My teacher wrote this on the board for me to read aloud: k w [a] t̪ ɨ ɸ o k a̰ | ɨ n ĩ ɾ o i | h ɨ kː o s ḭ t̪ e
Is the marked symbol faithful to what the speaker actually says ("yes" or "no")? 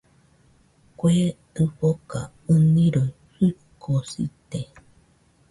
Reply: no